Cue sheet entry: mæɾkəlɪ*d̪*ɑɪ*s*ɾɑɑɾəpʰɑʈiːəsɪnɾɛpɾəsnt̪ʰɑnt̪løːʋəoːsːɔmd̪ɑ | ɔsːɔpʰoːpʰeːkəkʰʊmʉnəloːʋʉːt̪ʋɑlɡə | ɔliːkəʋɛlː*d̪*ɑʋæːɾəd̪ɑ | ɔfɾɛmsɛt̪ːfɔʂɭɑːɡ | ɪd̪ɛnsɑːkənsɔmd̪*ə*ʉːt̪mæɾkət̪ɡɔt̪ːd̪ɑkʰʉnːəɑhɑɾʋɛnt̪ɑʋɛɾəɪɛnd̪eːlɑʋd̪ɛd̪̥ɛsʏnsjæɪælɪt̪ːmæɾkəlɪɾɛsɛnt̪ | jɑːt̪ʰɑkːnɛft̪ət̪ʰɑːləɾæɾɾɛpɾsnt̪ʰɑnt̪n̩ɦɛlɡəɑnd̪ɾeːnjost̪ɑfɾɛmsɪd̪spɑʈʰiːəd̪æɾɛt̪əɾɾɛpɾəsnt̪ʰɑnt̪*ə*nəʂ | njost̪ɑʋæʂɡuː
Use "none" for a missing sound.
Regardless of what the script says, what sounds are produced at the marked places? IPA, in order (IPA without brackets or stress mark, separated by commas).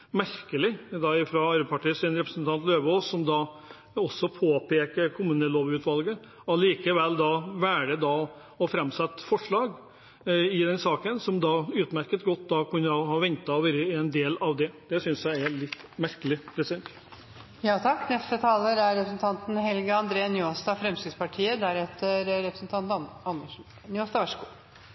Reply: d̪, f, d̪, ɑ, ɑ